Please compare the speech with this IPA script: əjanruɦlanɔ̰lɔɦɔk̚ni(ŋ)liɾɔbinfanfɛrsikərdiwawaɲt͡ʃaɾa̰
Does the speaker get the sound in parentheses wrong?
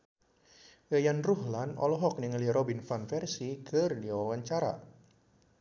no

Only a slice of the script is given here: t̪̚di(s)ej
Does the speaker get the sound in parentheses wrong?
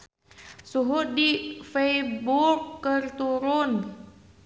yes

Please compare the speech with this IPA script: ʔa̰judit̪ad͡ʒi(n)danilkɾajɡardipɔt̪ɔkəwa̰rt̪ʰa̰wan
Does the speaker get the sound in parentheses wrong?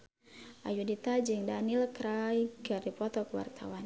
yes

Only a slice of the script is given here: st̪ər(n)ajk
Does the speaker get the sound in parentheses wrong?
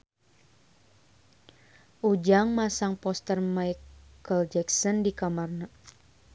yes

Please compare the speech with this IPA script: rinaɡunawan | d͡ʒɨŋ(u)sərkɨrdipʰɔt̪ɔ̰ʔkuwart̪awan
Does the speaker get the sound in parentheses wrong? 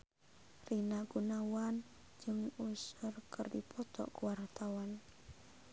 no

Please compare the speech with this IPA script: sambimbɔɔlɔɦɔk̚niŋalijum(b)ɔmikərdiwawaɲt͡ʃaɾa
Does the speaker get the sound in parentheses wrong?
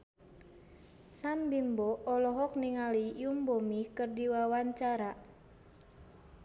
no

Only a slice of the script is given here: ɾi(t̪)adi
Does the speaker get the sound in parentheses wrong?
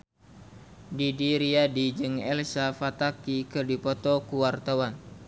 yes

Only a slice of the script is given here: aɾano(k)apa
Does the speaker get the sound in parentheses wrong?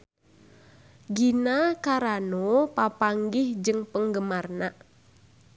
yes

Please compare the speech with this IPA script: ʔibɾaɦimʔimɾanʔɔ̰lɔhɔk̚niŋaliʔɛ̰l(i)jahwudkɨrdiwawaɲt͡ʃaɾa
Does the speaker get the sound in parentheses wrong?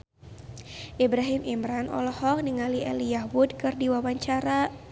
no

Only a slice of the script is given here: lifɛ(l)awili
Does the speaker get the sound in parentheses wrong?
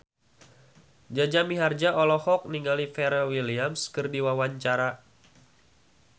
yes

